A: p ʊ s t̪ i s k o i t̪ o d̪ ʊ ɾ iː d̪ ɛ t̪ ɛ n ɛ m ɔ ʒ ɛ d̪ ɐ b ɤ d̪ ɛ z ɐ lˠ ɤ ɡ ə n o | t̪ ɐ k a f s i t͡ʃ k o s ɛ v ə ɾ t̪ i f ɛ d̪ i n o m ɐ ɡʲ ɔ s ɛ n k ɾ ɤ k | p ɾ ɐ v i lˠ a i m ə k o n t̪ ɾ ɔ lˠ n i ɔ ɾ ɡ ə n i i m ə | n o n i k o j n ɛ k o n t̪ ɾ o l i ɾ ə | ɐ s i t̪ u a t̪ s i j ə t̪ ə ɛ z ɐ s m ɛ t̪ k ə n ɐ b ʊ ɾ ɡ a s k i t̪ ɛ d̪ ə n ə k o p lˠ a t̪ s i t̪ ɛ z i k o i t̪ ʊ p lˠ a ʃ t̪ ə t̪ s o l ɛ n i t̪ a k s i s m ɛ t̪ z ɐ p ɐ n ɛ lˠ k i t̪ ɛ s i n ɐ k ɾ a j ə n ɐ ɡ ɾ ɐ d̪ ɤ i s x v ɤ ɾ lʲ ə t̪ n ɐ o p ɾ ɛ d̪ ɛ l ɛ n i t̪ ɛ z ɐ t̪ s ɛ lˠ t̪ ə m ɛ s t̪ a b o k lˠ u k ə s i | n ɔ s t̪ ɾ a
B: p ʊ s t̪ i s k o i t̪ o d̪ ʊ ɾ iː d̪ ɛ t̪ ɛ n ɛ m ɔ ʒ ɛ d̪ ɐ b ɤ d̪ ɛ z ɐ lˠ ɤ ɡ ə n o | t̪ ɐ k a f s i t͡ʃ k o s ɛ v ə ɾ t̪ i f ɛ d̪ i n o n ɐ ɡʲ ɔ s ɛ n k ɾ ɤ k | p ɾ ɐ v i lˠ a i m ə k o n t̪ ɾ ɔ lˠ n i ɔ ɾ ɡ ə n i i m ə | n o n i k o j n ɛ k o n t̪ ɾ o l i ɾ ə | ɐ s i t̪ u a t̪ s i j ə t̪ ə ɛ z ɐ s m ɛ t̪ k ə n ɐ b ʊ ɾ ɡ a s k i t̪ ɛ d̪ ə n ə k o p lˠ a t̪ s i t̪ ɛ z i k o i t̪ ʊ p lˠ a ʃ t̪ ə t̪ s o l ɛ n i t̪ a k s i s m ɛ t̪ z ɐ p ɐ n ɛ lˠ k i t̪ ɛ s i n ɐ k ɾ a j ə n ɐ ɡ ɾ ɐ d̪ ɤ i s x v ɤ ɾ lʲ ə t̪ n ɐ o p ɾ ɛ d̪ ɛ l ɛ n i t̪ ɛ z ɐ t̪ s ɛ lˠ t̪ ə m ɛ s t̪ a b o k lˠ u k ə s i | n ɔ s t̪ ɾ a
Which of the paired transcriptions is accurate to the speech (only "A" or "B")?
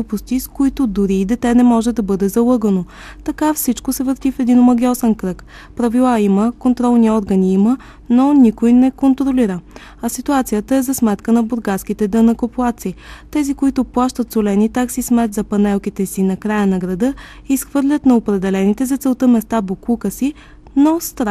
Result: A